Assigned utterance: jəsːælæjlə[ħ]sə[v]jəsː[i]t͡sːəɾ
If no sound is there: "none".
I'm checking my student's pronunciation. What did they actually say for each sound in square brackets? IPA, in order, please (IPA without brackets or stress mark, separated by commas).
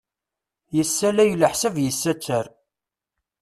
ħ, v, æ